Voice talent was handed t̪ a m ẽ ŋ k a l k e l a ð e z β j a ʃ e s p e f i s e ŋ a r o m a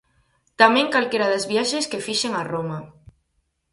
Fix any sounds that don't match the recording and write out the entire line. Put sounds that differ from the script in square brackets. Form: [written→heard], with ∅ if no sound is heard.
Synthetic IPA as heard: t̪ a m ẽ ŋ k a l k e [l→ɾ] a ð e z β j a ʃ e s [p→k] e f i [s→ʃ] e ŋ a r o m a